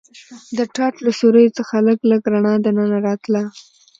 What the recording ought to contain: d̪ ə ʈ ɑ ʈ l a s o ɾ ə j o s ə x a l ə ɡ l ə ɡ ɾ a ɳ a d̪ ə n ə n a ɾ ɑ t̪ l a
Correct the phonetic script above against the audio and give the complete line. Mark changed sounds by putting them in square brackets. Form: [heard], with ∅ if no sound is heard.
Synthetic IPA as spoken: d̪ ə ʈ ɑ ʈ l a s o ɾ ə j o [t͡s] ə x a l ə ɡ l ə ɡ ɾ a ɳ [ɑ] d̪ ə n ə n a ɾ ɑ t̪ l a